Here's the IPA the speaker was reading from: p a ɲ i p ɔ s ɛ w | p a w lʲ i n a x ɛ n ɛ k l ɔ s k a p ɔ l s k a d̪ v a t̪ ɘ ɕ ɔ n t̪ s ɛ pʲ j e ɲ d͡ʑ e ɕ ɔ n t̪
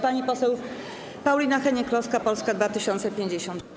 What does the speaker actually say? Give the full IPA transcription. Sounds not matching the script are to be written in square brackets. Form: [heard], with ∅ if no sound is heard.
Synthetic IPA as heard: p a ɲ i p ɔ s ɛ w | p a w lʲ i n a x ɛ [ɲ] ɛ k l ɔ s k a p ɔ l s k a d̪ v a t̪ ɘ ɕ ɔ n t̪ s ɛ pʲ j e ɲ d͡ʑ e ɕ ɔ n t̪